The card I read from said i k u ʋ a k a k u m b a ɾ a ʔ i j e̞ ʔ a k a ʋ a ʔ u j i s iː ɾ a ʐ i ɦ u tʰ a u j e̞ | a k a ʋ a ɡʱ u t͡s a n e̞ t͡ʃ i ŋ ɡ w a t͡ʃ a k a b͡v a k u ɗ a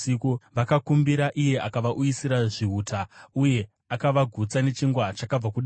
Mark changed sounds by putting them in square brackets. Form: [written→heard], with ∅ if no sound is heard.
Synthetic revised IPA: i k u ʋ a k a k u m b [a→i] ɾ a ʔ i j e̞ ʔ a k a ʋ a ʔ u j i s [iː→i] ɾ a ʐ i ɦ u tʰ a u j e̞ | a k a ʋ a ɡʱ u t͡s a n e̞ t͡ʃ i ŋ ɡ w a t͡ʃ a k a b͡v a k u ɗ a